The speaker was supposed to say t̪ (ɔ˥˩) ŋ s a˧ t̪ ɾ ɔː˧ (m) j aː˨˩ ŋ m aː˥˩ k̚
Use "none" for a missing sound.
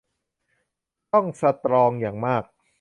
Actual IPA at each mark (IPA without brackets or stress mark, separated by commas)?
ɔ˥˩, ŋ